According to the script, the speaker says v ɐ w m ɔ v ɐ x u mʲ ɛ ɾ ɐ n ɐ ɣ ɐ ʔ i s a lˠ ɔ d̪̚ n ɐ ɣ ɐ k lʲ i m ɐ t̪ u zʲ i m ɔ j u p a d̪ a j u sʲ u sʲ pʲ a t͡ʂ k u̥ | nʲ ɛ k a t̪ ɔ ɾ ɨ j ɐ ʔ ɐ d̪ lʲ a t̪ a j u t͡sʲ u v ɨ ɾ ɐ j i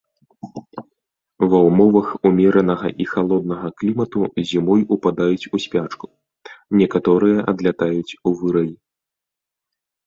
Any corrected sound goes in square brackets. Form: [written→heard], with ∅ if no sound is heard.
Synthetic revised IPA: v ɐ w m ɔ v ɐ x u mʲ ɛ ɾ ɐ n ɐ ɣ ɐ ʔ i [s→x] a lˠ ɔ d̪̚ n ɐ ɣ ɐ k lʲ i m ɐ t̪ u zʲ i m ɔ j u p a d̪ a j u [sʲ→t͡sʲ] u sʲ pʲ a t͡ʂ k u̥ | nʲ ɛ k a t̪ ɔ ɾ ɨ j ɐ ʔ ɐ d̪ lʲ a t̪ a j u t͡sʲ u v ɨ ɾ ɐ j i